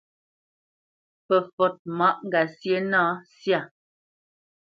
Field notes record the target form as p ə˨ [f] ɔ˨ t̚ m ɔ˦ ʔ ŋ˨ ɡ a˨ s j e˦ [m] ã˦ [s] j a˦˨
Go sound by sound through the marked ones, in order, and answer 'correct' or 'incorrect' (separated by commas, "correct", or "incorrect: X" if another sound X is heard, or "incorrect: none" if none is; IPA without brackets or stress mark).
correct, incorrect: n, correct